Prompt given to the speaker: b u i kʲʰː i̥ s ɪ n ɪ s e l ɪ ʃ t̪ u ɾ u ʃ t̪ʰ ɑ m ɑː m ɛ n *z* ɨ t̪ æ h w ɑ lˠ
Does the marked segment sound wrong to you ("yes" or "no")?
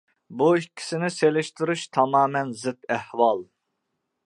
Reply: no